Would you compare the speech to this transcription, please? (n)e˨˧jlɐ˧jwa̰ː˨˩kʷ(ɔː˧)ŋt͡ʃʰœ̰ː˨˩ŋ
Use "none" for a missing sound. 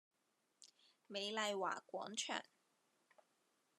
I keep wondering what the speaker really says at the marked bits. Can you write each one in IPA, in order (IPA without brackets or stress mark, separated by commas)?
m, ɔː˨˥